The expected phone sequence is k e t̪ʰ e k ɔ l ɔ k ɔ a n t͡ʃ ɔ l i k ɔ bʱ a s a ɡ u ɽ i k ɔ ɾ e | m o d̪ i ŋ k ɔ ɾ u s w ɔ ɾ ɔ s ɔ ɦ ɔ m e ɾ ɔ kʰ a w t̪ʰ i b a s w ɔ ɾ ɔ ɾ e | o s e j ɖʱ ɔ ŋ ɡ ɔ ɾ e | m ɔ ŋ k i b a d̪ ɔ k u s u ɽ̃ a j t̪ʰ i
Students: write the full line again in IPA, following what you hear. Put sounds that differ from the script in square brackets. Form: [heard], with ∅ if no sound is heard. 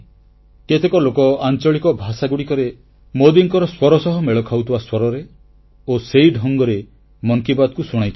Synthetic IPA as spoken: k e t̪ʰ e k ɔ l [o] k ɔ a n t͡ʃ ɔ [ɭ] i k ɔ bʱ a s a ɡ u ɽ i k ɔ ɾ e | m o d̪ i ŋ k ɔ ɾ [ɔ] s w ɔ ɾ ɔ s ɔ ɦ ɔ m e [ɭ] ɔ kʰ a w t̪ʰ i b a s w ɔ ɾ ɔ ɾ e | o s e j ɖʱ ɔ ŋ ɡ ɔ ɾ e | m ɔ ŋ k i b a d̪ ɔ k u s u ɽ̃ a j t̪ʰ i